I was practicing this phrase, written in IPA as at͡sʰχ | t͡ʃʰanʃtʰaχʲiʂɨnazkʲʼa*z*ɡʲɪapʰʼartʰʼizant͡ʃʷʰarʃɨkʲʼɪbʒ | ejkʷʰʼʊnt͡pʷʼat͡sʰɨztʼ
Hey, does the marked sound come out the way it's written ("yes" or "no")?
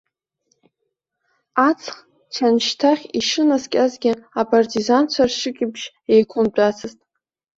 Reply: yes